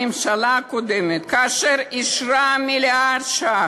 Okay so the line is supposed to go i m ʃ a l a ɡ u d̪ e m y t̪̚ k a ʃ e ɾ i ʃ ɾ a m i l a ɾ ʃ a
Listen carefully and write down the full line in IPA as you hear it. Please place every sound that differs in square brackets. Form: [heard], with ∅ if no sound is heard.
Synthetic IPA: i m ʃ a l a [k] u d̪ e m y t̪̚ k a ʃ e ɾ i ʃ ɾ a m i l a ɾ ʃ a